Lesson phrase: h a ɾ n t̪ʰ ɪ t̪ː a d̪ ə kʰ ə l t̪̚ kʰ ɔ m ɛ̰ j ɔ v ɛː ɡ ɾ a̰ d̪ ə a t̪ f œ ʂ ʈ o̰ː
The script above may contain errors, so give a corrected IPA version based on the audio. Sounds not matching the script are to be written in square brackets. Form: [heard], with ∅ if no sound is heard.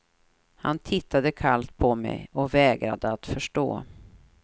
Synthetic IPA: h a [∅] n t̪ʰ ɪ t̪ː a d̪ ə kʰ [a] l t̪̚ [pʰ] ɔ m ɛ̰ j ɔ v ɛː ɡ ɾ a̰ d̪ ə a t̪ f œ ʂ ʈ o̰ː